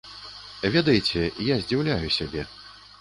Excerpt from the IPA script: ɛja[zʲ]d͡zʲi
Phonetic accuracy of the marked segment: correct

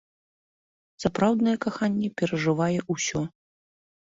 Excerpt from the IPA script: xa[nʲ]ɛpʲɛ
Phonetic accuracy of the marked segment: incorrect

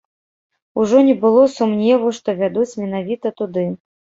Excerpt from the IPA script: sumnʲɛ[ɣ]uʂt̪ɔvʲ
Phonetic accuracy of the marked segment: incorrect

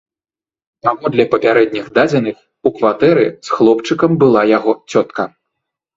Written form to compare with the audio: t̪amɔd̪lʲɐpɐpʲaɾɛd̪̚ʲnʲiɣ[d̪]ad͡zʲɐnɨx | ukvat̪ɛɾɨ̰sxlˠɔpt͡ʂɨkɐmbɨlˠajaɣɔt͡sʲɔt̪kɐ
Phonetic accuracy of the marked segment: correct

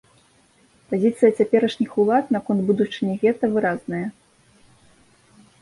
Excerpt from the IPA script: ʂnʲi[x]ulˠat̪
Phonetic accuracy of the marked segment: correct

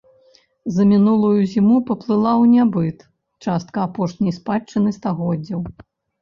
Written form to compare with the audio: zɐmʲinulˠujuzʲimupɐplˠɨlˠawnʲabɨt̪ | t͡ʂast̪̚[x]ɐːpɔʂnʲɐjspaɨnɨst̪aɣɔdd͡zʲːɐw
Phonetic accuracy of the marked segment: incorrect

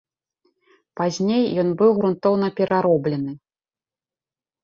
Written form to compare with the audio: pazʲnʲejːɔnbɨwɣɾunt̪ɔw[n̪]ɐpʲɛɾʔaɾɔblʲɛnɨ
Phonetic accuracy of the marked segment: correct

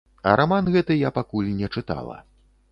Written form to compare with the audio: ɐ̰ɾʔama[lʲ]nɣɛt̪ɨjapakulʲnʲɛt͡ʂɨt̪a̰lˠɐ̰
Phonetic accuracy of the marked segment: incorrect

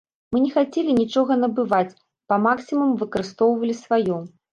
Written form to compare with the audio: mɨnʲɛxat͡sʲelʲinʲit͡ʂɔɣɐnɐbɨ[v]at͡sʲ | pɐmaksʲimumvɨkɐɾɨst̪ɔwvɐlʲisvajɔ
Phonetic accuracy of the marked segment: correct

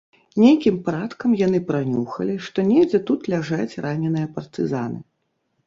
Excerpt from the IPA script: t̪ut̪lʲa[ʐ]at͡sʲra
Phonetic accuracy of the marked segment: correct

